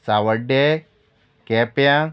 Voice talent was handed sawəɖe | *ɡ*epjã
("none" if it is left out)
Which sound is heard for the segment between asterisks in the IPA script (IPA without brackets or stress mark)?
k